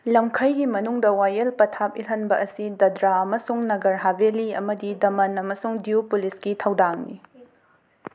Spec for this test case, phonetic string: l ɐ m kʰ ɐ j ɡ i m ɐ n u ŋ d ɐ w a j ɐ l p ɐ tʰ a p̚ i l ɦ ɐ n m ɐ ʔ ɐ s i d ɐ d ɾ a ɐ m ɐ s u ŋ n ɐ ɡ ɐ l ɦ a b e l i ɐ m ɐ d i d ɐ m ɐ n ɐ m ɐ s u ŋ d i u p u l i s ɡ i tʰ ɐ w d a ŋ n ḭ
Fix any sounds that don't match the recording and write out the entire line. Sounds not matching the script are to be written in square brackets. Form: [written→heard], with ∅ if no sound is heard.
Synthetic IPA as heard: l ɐ m kʰ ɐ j ɡ i m ɐ n u ŋ d ɐ w a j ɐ l p ɐ tʰ a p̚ i l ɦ ɐ n [m→b] ɐ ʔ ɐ s i d ɐ d ɾ a ɐ m ɐ s u ŋ n ɐ ɡ ɐ [l→ɾ] ɦ a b e l i ɐ m ɐ d i d ɐ m ɐ n ɐ m ɐ s u ŋ d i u p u l i s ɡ i tʰ ɐ w d a ŋ n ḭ